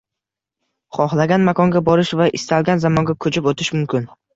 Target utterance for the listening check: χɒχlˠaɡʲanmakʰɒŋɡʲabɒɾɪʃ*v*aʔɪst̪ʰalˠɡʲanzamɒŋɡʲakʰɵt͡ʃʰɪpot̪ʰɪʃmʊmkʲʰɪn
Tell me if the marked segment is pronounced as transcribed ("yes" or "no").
yes